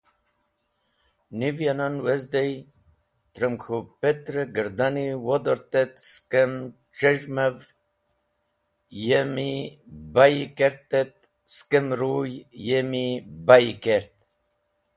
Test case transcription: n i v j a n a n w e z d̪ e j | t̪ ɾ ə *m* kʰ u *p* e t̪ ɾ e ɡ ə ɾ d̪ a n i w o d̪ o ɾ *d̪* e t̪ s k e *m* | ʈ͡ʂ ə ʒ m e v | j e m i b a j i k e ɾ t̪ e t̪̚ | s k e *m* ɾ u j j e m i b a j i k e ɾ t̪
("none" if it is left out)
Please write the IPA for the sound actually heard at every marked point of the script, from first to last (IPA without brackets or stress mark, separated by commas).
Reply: m, p, t̪, m, m